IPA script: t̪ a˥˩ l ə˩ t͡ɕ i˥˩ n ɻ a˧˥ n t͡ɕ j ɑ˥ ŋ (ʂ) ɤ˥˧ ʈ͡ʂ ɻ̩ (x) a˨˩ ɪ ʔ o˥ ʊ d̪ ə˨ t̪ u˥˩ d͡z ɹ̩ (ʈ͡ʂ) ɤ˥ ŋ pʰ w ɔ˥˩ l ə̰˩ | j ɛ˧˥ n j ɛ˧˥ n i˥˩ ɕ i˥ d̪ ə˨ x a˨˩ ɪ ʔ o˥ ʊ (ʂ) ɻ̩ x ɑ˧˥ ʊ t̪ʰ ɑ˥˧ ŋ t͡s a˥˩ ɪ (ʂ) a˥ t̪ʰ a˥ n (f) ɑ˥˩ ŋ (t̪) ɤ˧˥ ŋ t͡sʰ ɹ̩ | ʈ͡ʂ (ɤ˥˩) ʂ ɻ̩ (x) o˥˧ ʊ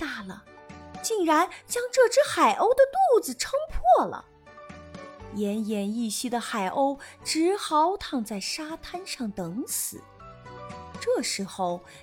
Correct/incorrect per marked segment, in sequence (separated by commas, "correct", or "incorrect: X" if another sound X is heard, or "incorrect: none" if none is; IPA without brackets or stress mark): incorrect: ʈ͡ʂ, correct, incorrect: ʈ͡ʂʰ, incorrect: ʈ͡ʂ, correct, incorrect: ʂ, correct, correct, correct